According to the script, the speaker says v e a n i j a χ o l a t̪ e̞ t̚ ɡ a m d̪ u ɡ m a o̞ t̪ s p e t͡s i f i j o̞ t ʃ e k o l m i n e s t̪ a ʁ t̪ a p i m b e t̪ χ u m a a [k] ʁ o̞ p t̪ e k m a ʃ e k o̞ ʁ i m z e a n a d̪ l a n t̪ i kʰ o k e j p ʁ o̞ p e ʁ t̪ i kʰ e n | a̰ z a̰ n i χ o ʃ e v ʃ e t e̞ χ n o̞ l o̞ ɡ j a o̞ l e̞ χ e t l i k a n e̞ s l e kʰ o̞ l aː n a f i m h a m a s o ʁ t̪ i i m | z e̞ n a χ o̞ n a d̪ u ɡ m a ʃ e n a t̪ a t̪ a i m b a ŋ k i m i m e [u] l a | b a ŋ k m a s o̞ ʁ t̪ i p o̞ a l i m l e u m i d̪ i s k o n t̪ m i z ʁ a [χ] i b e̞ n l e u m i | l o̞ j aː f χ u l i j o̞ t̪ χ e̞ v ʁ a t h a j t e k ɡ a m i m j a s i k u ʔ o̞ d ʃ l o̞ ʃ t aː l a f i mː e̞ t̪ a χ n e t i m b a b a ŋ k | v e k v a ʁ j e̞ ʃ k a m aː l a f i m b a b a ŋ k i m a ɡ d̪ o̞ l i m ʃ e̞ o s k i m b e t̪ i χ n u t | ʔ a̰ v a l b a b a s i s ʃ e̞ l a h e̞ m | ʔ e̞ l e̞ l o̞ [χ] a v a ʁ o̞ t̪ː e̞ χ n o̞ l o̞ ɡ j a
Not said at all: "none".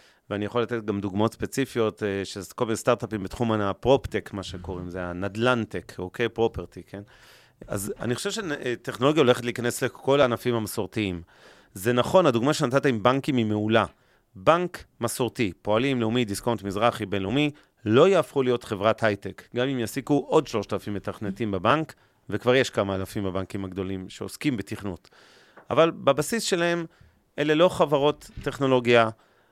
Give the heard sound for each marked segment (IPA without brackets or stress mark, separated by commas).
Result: p, u, χ, χ